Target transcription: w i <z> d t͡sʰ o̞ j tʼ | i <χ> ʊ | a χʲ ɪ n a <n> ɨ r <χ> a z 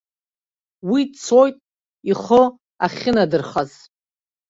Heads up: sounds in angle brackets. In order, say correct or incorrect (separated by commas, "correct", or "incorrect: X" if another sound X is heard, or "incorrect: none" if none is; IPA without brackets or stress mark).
incorrect: none, correct, incorrect: d, correct